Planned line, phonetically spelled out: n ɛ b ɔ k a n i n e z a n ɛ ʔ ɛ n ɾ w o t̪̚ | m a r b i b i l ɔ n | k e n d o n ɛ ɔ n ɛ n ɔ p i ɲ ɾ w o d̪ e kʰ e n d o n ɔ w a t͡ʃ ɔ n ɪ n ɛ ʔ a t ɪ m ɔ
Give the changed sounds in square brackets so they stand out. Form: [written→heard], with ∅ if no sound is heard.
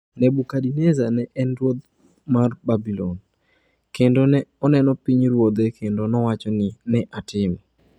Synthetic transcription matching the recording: n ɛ b [ɔ→u] k a [n→d] i n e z a n ɛ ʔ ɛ n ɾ w o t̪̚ | m a r b [i→a] b i l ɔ n | k e n d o n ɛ ɔ n ɛ n ɔ p i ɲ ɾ w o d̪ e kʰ e n d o n ɔ w a t͡ʃ ɔ n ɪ n ɛ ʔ a t ɪ m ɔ